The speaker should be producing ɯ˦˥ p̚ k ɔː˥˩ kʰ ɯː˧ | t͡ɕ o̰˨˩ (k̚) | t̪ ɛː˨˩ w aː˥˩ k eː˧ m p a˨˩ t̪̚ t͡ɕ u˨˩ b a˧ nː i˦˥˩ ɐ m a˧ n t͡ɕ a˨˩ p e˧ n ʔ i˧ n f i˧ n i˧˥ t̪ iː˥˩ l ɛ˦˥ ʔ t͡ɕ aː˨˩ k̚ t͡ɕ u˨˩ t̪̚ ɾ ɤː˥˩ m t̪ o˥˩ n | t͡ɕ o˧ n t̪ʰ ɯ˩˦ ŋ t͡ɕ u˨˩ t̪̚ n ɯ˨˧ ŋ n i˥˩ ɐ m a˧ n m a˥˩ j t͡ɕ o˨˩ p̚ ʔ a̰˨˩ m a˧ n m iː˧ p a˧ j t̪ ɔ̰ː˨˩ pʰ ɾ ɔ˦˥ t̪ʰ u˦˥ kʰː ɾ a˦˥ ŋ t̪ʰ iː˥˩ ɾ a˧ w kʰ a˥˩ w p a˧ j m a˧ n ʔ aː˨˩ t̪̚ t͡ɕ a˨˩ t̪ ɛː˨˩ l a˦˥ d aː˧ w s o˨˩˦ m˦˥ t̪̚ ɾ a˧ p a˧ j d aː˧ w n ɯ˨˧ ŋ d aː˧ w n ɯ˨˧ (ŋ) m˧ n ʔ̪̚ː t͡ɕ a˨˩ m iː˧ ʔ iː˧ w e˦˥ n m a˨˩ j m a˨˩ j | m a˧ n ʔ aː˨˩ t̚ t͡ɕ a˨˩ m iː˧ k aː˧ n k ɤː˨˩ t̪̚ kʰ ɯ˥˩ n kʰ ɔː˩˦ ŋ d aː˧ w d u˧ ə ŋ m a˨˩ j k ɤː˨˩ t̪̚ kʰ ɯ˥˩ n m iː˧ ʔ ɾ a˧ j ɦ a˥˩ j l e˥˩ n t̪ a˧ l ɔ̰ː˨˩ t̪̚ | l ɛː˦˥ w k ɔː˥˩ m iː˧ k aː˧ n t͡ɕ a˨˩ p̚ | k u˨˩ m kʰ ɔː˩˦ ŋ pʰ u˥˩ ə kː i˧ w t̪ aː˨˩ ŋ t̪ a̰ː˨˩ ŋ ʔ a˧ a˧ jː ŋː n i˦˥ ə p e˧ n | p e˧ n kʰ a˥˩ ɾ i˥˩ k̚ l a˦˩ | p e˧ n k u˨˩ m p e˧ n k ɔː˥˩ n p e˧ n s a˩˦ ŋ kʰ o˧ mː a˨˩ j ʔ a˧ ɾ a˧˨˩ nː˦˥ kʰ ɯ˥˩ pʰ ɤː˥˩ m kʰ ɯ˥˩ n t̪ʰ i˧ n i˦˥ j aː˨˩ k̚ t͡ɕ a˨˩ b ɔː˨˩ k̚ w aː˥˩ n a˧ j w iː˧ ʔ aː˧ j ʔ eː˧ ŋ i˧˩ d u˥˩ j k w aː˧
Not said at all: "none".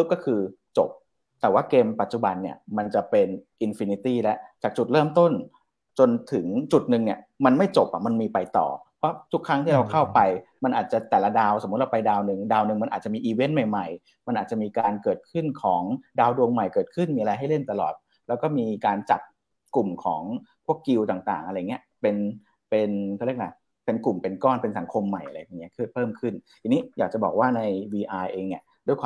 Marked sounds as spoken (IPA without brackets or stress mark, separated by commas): p̚, ŋ